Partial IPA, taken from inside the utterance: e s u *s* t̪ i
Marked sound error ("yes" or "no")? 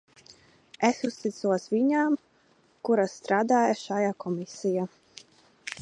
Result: no